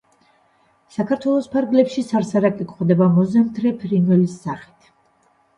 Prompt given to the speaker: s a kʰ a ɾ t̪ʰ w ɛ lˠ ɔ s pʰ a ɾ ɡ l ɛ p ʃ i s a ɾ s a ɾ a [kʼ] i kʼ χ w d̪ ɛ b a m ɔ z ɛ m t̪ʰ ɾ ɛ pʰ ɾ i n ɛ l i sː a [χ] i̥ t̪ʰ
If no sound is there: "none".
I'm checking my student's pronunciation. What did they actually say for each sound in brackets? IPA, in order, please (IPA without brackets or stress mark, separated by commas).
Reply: kʼ, χ